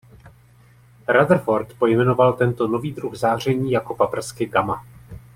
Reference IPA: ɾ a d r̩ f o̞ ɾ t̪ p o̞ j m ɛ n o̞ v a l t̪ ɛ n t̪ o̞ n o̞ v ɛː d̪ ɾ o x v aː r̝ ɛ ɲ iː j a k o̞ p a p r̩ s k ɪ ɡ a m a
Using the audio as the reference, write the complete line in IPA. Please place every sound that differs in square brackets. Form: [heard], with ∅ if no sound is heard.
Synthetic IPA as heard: ɾ a d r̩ f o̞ ɾ t̪ p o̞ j m ɛ n o̞ v a l t̪ ɛ n t̪ o̞ n o̞ v [iː] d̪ ɾ [u] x [z] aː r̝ ɛ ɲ iː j a k o̞ p a p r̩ s k ɪ ɡ a m a